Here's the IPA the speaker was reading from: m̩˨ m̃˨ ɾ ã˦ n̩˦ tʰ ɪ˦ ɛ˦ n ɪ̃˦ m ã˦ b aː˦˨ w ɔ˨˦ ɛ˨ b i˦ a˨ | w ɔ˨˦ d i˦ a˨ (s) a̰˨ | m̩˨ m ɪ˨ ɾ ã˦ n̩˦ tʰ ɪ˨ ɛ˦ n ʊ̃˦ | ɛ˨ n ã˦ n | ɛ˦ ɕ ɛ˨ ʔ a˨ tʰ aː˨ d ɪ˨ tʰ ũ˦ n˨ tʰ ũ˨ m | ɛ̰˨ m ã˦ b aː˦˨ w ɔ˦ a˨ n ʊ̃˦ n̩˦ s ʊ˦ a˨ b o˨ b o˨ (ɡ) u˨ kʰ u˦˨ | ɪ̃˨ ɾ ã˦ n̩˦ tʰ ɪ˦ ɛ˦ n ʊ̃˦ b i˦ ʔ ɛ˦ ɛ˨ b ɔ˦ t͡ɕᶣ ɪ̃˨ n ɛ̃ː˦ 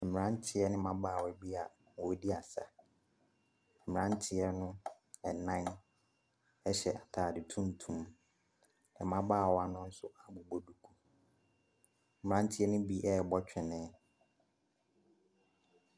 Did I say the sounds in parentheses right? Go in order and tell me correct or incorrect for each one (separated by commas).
correct, incorrect